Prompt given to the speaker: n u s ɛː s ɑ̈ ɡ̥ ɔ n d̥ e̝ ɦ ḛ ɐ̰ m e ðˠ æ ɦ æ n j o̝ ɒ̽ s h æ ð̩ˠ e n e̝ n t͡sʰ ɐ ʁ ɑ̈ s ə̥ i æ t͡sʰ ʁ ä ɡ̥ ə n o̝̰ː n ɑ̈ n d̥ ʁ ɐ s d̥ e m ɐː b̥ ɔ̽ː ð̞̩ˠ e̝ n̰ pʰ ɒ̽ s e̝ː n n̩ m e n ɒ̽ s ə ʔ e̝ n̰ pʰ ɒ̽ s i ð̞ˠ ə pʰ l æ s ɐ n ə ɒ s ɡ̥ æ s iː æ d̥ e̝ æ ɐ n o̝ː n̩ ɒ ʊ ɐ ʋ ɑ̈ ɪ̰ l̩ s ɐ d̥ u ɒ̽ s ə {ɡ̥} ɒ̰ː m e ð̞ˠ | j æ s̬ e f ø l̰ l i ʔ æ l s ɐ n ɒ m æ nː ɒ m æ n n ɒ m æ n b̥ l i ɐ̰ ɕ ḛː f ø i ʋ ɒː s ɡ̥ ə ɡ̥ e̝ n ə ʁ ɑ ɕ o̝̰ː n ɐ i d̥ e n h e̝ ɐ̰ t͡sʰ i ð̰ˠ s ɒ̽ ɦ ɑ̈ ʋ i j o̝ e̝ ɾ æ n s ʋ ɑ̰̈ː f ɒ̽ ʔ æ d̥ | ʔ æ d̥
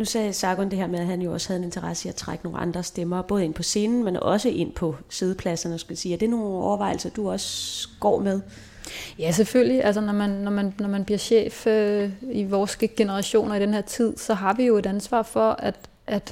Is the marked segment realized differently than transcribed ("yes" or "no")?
no